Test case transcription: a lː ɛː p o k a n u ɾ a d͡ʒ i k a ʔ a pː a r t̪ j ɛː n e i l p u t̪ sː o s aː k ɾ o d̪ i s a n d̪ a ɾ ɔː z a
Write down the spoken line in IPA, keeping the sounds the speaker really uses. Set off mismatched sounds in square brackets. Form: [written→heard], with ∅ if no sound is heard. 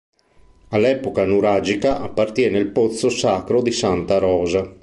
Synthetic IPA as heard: a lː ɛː p o k a n u ɾ a d͡ʒ i k a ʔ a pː a r t̪ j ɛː n e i l p [u→o] t̪ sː o s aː k ɾ o d̪ i s a n [d̪→t̪] a ɾ ɔː z a